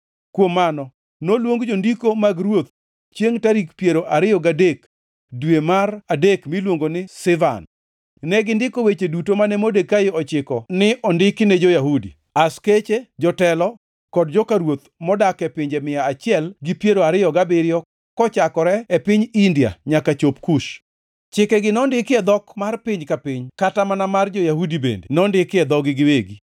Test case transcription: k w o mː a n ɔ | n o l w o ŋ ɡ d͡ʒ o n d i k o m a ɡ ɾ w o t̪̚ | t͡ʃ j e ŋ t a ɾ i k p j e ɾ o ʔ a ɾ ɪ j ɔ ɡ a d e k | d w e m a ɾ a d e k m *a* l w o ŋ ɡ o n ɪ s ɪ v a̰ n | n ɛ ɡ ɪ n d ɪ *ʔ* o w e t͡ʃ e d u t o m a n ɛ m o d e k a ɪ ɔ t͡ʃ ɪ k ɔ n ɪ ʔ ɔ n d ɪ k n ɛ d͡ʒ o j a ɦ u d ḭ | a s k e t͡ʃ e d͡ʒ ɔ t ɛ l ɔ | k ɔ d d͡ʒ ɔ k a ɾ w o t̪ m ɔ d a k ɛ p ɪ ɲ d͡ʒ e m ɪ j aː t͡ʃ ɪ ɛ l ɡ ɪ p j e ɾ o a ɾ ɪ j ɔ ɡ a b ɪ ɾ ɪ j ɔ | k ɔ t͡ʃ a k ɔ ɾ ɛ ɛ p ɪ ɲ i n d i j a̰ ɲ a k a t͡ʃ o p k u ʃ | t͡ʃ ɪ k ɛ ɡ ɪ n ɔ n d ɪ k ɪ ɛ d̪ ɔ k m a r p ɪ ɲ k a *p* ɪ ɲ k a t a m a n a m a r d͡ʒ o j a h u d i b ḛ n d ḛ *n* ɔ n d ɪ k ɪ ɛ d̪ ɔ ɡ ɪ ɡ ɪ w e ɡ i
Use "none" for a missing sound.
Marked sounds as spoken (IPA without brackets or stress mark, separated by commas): i, k, p, n